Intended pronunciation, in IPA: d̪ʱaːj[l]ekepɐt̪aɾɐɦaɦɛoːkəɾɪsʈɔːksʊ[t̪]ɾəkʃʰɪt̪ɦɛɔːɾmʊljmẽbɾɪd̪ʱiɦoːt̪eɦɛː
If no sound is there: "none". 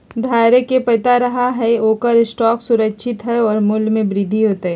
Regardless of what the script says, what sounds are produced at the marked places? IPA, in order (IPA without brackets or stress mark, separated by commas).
ɾ, none